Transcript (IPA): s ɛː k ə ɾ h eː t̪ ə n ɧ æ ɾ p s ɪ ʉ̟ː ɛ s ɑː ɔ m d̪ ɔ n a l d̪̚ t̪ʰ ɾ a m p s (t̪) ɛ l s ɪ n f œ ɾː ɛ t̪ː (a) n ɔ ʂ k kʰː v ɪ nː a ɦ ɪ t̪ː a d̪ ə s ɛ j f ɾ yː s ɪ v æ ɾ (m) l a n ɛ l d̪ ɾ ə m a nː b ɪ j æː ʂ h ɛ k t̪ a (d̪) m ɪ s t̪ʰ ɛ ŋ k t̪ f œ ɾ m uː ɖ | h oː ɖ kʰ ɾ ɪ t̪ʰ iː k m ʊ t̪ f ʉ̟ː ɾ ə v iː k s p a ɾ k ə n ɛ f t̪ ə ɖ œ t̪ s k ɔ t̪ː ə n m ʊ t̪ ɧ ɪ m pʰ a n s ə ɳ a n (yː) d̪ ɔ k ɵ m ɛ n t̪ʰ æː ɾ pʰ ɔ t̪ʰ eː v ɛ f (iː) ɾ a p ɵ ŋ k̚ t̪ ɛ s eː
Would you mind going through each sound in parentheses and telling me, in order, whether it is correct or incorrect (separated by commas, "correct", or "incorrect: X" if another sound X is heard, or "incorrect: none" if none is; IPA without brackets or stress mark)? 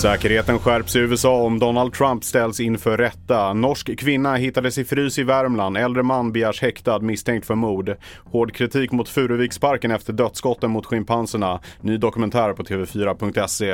correct, correct, correct, correct, correct, incorrect: yː